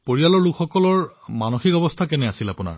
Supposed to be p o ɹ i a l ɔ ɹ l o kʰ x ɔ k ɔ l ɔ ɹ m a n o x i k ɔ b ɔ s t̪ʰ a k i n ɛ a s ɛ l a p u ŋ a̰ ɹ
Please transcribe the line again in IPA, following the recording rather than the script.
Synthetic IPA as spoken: p o ɹ i a l ɔ ɹ l u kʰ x ɔ k ɔ l ɔ ɹ m a n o x i k ɔ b ɔ s t̪ʰ a k ɛ n ɛ a s i l a p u n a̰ ɹ